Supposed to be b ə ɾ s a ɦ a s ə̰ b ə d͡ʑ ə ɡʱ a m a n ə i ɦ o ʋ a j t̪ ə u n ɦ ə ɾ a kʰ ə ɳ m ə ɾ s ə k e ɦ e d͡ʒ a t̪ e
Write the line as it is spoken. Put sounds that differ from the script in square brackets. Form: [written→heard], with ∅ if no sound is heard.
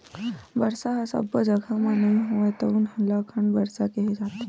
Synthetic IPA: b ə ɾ s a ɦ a s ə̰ b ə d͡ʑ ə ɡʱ a m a n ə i ɦ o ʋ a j t̪ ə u n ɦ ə [ɾ→l] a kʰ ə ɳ [m→b] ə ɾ s [ə→a] k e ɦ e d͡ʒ a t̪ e